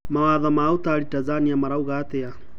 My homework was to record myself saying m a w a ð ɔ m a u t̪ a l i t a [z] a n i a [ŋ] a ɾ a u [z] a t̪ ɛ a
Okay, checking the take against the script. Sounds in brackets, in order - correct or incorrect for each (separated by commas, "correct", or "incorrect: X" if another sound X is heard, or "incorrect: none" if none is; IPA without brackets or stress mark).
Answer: correct, incorrect: m, incorrect: ɣ